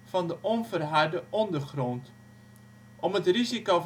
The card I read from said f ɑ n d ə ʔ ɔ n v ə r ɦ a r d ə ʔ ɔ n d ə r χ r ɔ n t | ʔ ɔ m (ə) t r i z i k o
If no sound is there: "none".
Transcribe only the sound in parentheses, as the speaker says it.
ə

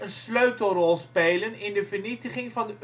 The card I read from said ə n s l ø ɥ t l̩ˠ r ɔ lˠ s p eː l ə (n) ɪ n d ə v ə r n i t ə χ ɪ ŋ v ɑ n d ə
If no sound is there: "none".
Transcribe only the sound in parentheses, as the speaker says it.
n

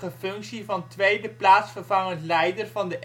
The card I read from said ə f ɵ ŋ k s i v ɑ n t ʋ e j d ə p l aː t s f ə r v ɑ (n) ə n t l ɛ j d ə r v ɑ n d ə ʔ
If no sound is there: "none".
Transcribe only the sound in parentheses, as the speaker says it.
ŋ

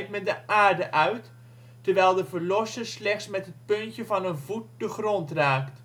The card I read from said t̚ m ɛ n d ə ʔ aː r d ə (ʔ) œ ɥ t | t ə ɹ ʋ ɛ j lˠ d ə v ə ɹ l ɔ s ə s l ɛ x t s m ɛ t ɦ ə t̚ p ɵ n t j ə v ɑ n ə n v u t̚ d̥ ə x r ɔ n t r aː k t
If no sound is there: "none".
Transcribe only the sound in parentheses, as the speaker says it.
ʔ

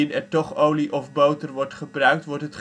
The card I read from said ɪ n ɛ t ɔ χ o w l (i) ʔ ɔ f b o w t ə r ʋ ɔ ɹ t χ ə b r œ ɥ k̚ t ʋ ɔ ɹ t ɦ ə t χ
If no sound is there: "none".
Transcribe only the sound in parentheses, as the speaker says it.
i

